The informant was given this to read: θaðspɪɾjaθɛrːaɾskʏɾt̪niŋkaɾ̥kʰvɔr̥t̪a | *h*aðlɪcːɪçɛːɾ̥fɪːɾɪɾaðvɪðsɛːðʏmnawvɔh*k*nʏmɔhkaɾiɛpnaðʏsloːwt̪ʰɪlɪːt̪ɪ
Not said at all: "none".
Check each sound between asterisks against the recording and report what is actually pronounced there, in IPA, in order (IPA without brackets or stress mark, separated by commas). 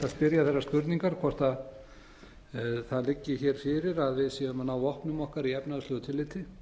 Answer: θ, p